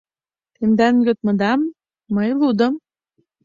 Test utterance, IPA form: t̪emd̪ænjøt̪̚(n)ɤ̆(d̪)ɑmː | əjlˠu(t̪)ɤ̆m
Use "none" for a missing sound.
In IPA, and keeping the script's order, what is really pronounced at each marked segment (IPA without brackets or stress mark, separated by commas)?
m, d̪, d̪